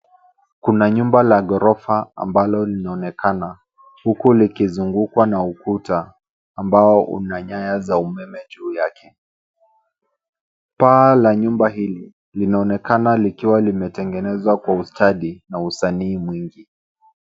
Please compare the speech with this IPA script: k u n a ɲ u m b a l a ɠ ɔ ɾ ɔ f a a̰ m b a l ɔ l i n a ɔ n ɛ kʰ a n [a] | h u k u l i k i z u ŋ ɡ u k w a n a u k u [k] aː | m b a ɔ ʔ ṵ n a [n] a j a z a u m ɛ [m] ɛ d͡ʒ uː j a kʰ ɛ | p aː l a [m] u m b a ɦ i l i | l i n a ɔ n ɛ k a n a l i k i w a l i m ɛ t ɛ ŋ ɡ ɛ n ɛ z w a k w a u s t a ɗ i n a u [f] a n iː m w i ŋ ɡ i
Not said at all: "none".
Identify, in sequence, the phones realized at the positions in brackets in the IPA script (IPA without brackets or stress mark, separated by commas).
a, t, ɲ, m, ɲ, s